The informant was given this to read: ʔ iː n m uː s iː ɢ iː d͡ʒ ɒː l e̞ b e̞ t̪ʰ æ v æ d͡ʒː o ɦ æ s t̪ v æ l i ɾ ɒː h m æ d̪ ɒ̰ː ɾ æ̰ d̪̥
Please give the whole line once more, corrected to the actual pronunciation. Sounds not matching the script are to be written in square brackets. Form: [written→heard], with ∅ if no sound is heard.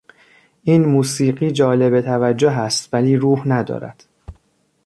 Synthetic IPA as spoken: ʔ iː n m uː s iː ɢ iː d͡ʒ ɒː l e̞ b e̞ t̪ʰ æ v æ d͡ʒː o ɦ æ s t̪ v æ l [i→iː] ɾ [ɒː→uː] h [m→n] æ d̪ ɒ̰ː ɾ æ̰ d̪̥